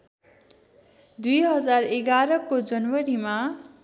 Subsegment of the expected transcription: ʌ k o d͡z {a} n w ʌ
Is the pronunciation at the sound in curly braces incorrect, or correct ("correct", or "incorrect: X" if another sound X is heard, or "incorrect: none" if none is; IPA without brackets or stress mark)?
incorrect: ʌ